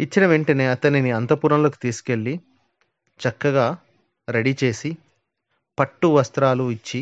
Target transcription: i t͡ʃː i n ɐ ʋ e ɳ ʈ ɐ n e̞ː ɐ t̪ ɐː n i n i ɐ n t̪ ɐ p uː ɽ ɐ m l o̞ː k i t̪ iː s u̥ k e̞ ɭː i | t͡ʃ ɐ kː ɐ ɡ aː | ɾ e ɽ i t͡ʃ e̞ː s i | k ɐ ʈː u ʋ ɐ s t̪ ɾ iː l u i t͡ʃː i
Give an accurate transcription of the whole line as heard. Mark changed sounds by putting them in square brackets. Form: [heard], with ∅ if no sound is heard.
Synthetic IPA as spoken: i t͡ʃː i n ɐ ʋ e ɳ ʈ ɐ n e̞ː ɐ t̪ [ɐ] n i n i ɐ n t̪ ɐ p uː [ɾ] ɐ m l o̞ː k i t̪ iː s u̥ k e̞ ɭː i | t͡ʃ ɐ kː ɐ ɡ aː | ɾ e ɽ i t͡ʃ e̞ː s i | [p] ɐ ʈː u ʋ ɐ s t̪ ɾ [aː] l u i t͡ʃː i